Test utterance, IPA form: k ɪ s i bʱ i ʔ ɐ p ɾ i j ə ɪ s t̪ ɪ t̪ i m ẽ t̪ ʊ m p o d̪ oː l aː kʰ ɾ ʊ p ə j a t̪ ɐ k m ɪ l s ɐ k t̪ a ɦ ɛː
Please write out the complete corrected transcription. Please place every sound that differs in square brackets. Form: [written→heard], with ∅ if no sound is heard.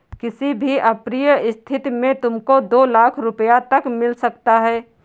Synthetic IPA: k ɪ s i bʱ i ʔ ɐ p ɾ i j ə ɪ s [t̪→t̪ʰ] ɪ t̪ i m ẽ t̪ ʊ m [p→k] o d̪ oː l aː kʰ ɾ ʊ p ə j a t̪ ɐ k m ɪ l s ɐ k t̪ a ɦ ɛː